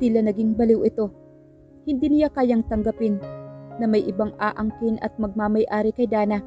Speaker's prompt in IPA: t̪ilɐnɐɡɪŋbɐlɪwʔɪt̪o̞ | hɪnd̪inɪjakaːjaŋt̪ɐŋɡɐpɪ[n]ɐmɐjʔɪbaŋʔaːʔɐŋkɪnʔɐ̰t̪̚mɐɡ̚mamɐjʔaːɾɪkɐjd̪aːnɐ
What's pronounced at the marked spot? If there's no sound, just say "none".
nː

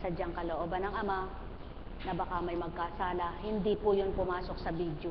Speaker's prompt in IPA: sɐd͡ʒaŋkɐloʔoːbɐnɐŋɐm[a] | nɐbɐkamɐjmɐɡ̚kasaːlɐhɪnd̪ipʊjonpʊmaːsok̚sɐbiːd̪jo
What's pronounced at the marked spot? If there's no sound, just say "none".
a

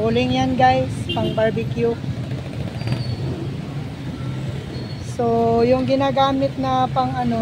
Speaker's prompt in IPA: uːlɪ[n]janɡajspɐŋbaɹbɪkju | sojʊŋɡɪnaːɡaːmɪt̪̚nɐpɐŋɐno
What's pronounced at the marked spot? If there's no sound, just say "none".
ŋ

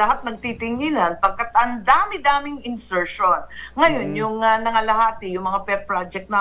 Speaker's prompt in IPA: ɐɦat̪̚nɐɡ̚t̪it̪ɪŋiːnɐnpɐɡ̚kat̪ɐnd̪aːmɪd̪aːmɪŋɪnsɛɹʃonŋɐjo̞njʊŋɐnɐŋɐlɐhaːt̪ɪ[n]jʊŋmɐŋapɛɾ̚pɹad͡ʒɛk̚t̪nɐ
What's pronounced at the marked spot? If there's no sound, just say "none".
none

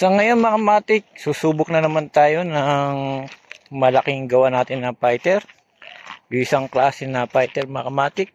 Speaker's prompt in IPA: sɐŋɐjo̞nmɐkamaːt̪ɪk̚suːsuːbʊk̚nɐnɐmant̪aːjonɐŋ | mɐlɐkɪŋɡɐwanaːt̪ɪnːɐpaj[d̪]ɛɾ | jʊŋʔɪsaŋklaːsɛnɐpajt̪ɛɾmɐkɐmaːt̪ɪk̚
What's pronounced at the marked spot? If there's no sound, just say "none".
t̪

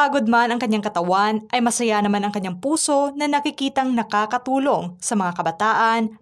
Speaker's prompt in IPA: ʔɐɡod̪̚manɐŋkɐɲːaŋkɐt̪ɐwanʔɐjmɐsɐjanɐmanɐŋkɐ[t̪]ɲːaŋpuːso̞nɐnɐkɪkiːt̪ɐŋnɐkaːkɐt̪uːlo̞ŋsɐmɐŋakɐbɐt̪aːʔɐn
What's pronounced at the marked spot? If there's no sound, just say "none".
none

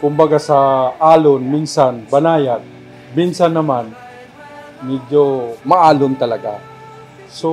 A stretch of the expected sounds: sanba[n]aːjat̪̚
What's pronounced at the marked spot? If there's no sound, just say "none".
n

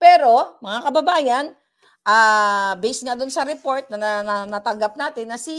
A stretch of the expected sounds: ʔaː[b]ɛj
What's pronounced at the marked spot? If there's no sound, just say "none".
b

